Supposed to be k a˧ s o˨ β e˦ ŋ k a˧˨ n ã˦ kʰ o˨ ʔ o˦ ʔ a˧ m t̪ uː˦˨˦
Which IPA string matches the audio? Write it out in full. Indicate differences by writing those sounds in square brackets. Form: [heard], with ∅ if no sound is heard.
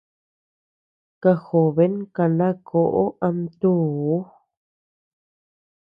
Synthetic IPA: k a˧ [x] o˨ β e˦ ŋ k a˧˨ n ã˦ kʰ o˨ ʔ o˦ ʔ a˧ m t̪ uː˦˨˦